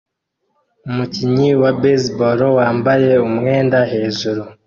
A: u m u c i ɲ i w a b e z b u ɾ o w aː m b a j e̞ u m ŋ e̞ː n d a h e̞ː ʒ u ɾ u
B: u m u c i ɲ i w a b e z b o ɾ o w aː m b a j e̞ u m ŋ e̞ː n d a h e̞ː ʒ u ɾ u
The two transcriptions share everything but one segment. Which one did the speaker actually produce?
B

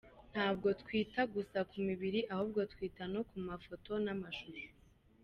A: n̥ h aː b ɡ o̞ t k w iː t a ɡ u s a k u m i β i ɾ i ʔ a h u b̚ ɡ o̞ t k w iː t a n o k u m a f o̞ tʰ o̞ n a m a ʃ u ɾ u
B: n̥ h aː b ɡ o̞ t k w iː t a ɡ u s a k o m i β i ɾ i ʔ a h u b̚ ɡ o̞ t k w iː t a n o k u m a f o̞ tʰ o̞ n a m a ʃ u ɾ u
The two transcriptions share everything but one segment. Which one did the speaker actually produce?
A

